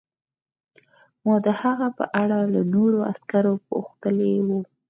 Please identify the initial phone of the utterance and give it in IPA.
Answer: m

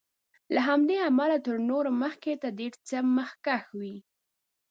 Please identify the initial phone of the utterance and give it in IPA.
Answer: l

